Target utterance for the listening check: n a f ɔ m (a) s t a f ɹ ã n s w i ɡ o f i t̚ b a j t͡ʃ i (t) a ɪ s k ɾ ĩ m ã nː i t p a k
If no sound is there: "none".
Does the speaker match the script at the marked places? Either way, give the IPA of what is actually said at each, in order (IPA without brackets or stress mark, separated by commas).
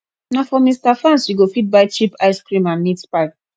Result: i, p